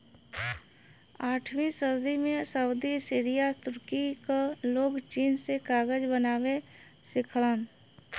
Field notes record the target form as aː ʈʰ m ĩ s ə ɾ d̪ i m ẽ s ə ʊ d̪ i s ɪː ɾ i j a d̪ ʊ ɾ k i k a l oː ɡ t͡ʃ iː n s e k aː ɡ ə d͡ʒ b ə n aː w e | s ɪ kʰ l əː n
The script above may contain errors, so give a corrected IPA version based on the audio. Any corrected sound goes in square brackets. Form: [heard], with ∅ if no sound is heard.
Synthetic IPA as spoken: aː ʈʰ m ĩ s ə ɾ d̪ i m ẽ s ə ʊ d̪ i s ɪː ɾ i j a [t̪] ʊ ɾ k i k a l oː ɡ t͡ʃ iː n s e k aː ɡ ə d͡ʒ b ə n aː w e | s ɪ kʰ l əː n